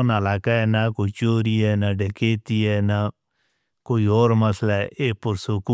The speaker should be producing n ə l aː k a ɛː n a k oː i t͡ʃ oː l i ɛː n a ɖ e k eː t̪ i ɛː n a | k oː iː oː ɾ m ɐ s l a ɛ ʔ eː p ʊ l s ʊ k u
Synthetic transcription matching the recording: n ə l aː k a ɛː n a k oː i t͡ʃ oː ɾ i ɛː n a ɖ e k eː t̪ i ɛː n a | k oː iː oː ɾ m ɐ s l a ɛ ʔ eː p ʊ ɾ s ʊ k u